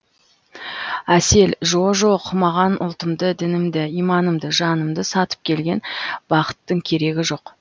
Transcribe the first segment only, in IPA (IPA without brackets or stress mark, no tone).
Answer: æ